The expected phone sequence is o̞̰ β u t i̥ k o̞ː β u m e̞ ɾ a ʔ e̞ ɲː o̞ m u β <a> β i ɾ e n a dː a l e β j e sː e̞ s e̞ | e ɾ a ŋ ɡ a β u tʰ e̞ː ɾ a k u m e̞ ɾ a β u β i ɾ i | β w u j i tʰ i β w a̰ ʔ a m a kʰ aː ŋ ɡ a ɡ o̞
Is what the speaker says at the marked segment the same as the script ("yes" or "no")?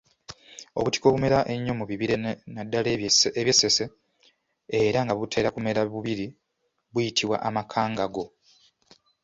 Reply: no